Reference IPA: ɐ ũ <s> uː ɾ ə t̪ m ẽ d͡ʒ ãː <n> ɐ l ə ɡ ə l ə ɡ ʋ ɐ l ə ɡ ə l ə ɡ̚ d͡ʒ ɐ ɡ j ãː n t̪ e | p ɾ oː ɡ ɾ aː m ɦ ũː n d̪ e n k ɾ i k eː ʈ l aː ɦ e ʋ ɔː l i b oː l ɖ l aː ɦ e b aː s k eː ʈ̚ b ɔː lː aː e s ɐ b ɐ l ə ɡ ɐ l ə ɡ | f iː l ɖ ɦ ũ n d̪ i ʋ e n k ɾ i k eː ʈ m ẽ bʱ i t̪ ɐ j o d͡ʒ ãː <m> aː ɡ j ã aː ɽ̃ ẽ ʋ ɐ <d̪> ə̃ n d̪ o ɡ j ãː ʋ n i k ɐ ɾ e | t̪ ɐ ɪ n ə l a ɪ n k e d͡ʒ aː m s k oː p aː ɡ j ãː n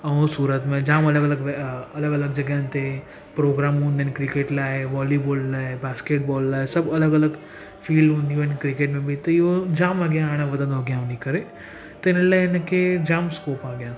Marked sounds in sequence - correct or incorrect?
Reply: correct, incorrect: m, correct, correct

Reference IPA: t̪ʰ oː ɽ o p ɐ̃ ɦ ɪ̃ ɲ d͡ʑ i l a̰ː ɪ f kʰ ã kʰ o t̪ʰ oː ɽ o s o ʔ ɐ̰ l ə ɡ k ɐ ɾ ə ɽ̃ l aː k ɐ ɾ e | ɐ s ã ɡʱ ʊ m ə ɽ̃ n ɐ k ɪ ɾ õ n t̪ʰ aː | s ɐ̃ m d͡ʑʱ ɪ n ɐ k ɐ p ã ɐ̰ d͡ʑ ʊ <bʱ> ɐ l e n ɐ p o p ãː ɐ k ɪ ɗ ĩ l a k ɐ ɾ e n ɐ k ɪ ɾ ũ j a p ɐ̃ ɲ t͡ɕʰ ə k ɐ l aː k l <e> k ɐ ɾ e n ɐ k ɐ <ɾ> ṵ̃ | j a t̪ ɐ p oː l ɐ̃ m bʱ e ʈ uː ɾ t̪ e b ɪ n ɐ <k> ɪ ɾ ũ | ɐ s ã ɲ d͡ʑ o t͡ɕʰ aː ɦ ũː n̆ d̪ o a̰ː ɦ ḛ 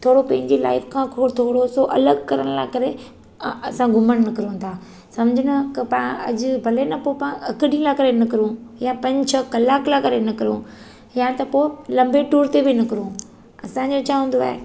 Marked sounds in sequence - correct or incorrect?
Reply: correct, incorrect: a, correct, correct

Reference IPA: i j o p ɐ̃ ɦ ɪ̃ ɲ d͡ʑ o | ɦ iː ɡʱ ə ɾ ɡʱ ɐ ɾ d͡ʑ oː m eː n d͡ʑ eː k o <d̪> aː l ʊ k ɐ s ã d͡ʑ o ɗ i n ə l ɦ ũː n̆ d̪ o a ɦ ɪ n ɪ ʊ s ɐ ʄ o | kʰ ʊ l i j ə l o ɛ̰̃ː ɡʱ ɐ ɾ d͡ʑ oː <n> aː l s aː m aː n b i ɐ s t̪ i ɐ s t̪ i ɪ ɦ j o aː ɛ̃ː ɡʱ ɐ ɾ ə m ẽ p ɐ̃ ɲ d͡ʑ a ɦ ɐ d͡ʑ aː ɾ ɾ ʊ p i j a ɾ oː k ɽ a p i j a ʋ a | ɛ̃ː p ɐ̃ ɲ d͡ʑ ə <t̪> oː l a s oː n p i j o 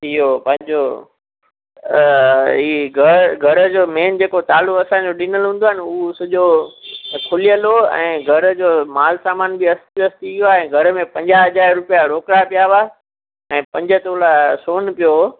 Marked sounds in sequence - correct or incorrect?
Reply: incorrect: t̪, incorrect: m, correct

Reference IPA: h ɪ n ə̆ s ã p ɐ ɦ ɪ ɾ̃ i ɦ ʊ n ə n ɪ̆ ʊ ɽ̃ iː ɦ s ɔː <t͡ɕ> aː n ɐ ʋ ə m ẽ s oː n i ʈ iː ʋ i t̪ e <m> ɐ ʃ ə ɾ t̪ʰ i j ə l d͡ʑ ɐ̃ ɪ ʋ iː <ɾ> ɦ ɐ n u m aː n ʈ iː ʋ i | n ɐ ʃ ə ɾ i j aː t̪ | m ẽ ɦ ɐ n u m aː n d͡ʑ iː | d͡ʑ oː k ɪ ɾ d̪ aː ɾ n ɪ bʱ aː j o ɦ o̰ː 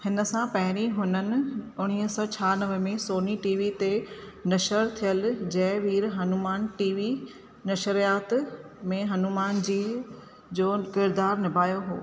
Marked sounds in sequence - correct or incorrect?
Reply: incorrect: t͡ɕʰ, incorrect: n, correct

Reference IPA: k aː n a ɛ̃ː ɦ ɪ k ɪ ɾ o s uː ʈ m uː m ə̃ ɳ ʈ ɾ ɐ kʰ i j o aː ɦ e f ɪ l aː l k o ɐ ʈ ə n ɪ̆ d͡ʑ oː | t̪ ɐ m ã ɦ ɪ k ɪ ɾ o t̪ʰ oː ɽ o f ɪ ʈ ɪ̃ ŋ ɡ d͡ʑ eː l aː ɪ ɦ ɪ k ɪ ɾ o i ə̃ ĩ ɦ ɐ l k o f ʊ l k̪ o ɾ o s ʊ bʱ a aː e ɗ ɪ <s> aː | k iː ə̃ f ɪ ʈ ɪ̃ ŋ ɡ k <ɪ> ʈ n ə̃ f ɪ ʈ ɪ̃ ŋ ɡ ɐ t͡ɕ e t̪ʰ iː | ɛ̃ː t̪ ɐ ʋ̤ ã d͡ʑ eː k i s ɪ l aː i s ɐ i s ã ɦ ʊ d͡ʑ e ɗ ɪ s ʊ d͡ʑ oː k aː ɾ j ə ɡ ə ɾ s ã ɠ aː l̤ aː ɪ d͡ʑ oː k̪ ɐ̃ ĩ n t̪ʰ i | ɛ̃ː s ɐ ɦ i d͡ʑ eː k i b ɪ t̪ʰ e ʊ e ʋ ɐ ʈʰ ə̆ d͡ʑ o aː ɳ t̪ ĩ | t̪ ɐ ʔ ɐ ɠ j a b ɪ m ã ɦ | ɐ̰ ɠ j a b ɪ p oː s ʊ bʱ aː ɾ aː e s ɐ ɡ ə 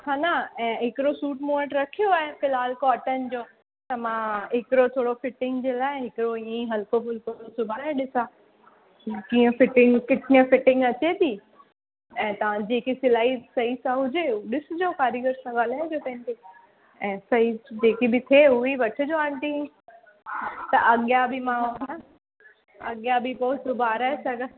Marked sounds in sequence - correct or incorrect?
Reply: correct, correct

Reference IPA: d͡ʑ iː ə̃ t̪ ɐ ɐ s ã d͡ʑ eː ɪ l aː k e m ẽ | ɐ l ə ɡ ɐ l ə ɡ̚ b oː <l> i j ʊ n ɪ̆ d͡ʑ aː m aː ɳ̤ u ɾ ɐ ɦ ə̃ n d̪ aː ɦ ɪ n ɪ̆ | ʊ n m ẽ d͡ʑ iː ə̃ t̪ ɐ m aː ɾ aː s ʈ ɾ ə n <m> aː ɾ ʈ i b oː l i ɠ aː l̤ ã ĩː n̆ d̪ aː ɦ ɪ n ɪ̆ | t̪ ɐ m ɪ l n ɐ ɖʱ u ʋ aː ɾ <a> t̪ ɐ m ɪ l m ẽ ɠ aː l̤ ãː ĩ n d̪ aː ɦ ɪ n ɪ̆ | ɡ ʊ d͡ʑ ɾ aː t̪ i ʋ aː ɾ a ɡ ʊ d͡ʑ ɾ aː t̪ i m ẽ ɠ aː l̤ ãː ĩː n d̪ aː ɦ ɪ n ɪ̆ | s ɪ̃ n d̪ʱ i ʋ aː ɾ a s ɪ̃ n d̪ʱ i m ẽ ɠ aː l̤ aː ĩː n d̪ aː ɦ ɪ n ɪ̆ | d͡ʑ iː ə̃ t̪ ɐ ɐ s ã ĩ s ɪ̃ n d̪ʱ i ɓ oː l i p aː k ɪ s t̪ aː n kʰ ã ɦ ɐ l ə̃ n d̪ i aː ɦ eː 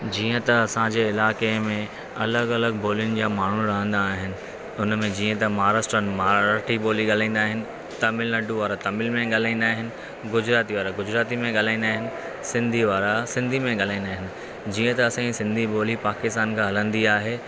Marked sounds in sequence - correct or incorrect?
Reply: correct, correct, correct

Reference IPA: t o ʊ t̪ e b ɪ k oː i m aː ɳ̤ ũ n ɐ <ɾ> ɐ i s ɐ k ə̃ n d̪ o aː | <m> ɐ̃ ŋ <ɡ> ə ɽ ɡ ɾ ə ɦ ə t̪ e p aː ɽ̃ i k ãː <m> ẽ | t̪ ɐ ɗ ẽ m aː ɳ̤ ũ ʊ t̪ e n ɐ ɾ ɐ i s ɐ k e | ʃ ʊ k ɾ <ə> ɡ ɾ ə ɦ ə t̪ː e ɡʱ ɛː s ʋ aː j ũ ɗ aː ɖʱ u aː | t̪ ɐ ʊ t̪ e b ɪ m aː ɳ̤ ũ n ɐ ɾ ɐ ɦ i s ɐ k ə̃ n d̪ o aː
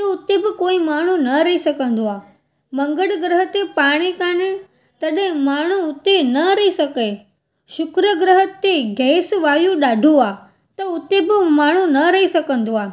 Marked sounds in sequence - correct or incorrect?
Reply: correct, correct, correct, incorrect: n, correct

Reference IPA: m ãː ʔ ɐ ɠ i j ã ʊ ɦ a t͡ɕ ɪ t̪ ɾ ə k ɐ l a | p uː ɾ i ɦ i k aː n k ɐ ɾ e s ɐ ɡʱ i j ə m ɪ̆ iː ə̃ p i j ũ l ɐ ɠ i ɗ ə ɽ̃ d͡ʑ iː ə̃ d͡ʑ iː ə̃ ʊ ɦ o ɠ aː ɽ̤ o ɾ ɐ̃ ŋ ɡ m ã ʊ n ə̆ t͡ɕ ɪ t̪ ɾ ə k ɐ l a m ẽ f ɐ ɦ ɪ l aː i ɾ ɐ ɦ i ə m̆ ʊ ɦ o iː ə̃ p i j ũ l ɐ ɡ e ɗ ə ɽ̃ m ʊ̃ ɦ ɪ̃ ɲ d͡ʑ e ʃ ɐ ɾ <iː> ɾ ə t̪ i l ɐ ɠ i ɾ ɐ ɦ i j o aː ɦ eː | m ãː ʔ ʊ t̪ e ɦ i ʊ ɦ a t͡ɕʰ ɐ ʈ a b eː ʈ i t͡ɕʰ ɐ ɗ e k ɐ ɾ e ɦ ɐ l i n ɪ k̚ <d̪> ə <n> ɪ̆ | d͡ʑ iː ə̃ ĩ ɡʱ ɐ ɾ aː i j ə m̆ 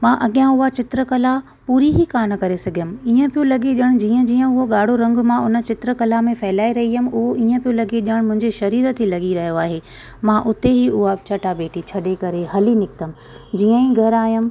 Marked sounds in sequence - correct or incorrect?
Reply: correct, incorrect: t̪, incorrect: m

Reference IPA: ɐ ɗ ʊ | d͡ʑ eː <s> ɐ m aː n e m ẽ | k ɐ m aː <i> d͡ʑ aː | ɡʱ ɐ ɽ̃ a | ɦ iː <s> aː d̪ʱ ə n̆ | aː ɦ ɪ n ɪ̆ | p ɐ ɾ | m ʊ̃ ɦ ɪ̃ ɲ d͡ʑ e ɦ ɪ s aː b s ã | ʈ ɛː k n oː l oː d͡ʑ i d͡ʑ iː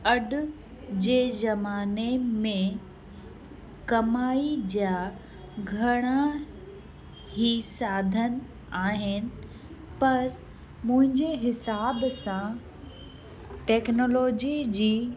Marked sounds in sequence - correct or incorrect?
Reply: incorrect: z, correct, correct

